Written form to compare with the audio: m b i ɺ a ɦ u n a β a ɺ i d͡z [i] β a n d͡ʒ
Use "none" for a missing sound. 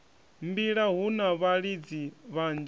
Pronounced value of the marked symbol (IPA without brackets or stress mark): i